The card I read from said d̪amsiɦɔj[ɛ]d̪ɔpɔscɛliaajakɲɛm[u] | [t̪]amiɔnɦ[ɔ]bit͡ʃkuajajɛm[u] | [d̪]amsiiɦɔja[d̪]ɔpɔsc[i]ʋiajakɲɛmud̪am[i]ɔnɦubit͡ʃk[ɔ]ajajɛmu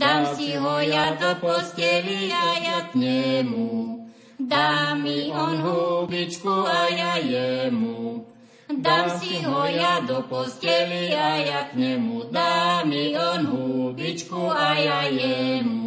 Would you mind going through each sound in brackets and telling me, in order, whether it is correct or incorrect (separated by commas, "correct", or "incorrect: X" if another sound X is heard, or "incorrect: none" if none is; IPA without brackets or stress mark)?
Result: incorrect: a, correct, incorrect: d̪, incorrect: u, correct, correct, correct, incorrect: ɛ, correct, incorrect: u